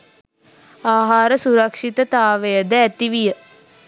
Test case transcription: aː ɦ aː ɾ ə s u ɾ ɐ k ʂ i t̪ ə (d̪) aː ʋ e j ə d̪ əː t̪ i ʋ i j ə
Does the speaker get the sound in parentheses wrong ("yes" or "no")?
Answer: yes